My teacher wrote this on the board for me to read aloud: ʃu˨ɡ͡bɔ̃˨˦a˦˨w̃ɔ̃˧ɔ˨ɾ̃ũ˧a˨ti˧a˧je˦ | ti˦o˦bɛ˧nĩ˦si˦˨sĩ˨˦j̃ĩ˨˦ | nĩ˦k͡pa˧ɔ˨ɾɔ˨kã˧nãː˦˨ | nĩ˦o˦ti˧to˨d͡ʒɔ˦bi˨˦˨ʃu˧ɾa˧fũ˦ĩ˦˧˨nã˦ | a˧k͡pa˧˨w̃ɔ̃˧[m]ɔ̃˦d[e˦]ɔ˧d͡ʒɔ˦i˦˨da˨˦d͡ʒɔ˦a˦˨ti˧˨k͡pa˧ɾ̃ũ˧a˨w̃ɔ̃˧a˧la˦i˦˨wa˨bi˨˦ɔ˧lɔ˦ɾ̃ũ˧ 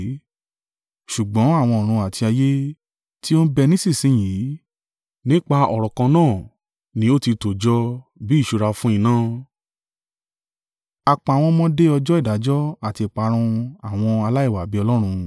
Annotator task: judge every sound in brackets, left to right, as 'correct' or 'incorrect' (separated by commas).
correct, correct